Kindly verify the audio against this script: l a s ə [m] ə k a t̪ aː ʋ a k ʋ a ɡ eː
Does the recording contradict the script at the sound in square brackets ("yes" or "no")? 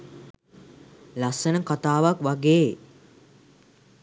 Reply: yes